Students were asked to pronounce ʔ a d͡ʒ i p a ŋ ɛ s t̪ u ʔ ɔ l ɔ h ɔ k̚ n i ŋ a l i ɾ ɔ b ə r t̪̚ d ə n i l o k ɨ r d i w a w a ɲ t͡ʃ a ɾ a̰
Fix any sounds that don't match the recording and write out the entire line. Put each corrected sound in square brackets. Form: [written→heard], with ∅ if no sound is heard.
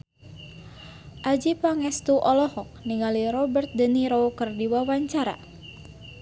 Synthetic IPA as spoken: ʔ a d͡ʒ i p a ŋ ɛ s t̪ u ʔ ɔ l ɔ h ɔ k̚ n i ŋ a l i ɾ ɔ b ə r t̪̚ d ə n i [l→ɾ] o k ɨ r d i w a w a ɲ t͡ʃ a ɾ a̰